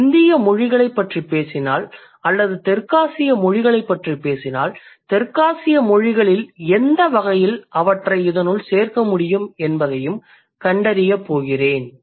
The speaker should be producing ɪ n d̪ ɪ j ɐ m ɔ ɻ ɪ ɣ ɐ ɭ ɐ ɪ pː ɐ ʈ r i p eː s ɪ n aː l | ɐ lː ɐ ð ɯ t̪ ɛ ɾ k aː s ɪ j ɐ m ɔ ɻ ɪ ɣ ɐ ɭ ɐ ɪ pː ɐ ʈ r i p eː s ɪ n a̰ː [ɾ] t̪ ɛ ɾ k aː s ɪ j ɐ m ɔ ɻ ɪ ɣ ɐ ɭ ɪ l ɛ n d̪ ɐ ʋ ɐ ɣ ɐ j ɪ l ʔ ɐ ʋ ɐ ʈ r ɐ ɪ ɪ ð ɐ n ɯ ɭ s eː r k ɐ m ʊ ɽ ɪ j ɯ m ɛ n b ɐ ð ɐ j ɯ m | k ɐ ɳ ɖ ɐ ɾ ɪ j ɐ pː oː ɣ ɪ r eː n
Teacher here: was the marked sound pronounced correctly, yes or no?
no